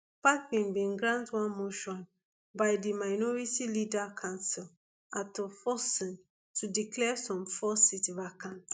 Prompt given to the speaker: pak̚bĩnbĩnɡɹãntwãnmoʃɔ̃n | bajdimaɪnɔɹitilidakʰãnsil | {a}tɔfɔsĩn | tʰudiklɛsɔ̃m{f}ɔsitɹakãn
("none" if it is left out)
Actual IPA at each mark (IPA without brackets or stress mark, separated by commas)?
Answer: a, f